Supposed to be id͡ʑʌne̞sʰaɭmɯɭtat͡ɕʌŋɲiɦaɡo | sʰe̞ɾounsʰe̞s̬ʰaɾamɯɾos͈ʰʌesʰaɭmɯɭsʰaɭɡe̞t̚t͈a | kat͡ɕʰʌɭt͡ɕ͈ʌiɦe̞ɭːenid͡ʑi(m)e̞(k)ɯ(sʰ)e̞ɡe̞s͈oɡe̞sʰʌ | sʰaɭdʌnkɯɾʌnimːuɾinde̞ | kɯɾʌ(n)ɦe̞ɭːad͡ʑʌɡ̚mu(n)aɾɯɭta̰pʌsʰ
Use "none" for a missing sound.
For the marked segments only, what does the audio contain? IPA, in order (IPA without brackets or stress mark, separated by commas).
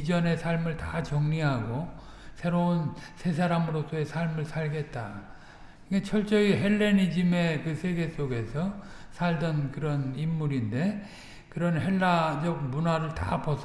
m, k, sʰ, n, n